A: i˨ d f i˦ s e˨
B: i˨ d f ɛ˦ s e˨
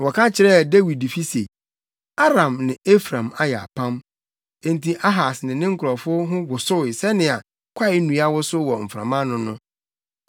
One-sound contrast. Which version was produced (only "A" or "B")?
A